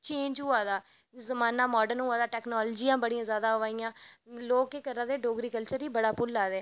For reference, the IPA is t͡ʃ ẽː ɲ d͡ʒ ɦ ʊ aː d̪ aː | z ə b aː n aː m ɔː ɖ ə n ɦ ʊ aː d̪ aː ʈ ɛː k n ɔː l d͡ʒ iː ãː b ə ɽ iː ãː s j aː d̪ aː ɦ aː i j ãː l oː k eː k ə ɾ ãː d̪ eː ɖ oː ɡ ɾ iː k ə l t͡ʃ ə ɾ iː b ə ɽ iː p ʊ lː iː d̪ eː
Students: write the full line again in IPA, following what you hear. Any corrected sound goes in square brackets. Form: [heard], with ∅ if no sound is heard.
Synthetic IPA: t͡ʃ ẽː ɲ d͡ʒ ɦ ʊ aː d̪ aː | z ə [m] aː n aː m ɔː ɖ ə n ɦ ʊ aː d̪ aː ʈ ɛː k n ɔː l d͡ʒ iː ãː b ə ɽ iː ãː [z] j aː d̪ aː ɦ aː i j ãː l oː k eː k ə ɾ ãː d̪ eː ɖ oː ɡ ɾ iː k ə l t͡ʃ ə ɾ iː b ə ɽ [aː] p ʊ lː [aː] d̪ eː